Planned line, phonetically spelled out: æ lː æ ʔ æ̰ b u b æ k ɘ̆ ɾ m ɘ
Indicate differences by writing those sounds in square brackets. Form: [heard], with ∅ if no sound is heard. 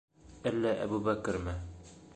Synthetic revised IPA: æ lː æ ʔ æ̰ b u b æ k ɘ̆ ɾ m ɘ